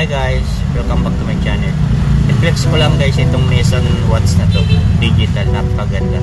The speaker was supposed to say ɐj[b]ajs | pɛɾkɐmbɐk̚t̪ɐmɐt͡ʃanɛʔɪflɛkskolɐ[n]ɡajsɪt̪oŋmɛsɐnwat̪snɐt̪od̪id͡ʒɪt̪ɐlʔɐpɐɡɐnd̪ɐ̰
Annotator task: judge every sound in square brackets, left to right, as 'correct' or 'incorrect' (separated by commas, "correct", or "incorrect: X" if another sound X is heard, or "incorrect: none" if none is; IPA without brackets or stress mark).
incorrect: ɡ, incorrect: ŋ